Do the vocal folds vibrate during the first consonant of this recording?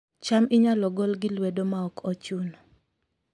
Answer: no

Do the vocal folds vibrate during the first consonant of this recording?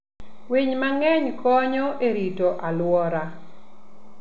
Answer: yes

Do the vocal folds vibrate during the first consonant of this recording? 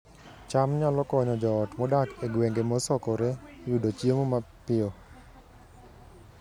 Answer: no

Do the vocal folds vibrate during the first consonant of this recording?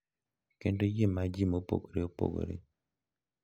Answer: no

